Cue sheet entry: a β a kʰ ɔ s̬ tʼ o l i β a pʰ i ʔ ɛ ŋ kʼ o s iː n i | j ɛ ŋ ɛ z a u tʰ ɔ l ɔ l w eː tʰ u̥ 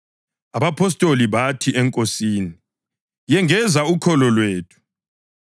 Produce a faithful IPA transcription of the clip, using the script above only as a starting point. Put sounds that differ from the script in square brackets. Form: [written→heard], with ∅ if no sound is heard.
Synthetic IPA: a β a [kʰ→pʰ] ɔ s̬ tʼ o l i β a [pʰ→tʰ] i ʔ ɛ ŋ kʼ o s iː n i | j ɛ ŋ ɛ z a u [tʰ→kʰ] ɔ l ɔ l w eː tʰ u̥